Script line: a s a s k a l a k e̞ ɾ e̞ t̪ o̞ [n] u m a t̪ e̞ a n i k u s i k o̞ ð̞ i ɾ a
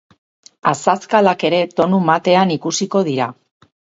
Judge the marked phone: correct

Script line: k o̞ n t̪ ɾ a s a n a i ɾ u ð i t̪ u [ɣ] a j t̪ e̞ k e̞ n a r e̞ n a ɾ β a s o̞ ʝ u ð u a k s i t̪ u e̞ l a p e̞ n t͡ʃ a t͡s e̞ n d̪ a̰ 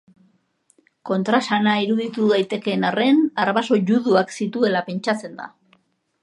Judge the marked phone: incorrect: ð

